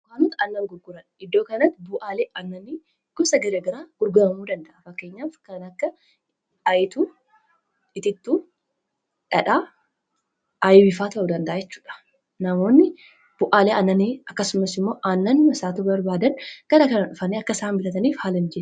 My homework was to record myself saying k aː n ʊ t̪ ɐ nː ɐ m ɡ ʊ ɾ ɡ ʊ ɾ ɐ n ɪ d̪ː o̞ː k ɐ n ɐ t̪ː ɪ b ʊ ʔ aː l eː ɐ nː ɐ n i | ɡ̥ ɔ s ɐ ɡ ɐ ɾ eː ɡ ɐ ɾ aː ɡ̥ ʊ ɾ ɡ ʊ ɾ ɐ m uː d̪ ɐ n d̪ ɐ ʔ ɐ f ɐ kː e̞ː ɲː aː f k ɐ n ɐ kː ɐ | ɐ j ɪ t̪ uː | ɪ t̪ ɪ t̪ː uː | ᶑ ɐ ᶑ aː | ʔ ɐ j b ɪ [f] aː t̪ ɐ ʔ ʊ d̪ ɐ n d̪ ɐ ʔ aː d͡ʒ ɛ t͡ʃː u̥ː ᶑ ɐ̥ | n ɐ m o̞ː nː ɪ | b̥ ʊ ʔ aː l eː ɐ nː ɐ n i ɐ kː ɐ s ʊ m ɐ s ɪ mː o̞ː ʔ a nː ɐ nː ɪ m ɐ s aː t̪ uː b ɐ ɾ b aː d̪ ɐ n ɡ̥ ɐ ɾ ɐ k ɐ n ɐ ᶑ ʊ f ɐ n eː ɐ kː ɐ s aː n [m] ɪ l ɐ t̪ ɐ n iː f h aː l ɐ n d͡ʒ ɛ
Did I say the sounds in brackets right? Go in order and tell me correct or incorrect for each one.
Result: correct, incorrect: b

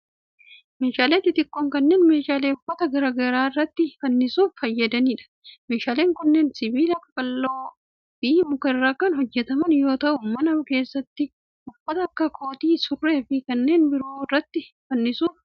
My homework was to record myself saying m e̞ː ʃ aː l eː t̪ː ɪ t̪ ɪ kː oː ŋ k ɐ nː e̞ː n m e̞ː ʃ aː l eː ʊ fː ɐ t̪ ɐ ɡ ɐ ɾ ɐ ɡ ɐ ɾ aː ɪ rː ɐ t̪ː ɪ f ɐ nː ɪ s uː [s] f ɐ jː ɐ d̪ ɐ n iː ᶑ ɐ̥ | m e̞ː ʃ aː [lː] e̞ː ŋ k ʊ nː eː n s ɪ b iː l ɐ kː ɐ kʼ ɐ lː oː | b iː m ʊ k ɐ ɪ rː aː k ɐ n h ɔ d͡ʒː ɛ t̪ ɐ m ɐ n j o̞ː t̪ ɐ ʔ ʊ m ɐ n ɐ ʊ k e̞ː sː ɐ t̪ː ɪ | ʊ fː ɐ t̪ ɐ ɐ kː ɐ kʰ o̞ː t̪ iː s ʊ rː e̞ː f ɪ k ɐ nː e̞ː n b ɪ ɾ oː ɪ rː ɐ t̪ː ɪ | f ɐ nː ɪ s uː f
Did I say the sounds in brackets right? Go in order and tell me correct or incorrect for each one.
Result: incorrect: f, incorrect: l

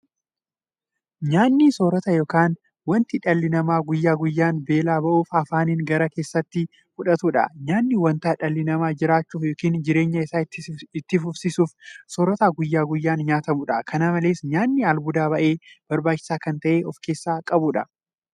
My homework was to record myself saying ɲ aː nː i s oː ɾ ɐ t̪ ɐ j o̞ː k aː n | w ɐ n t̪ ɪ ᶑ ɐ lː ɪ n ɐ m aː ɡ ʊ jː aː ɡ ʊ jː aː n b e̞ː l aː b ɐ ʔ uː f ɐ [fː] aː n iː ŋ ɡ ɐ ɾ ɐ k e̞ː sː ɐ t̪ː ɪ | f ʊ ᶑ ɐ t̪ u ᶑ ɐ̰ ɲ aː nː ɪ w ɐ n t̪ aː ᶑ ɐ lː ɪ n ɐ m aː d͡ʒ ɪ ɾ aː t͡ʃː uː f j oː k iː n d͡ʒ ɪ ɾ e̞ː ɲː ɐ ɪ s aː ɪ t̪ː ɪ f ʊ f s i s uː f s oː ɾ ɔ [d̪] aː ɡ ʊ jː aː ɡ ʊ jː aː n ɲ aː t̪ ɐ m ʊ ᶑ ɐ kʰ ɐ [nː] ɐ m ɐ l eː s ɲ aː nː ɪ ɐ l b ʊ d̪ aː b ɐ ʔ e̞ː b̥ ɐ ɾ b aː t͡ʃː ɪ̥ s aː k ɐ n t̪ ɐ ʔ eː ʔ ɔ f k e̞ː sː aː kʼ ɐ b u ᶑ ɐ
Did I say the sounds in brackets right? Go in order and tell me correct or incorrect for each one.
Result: incorrect: f, incorrect: t̪, incorrect: n

